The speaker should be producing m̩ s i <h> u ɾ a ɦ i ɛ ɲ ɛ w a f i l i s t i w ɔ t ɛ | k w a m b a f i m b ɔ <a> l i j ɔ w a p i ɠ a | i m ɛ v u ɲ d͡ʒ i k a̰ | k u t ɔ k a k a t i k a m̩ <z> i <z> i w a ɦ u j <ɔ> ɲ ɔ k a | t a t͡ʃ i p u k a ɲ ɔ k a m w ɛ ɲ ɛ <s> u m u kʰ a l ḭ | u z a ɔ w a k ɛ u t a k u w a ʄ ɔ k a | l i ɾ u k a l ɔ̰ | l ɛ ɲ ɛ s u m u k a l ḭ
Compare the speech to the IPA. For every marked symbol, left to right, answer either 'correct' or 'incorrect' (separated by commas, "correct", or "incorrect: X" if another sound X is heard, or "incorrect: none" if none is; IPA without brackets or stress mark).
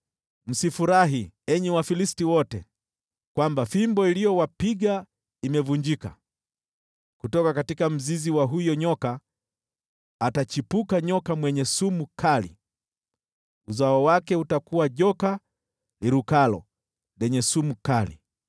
incorrect: f, incorrect: i, correct, correct, correct, correct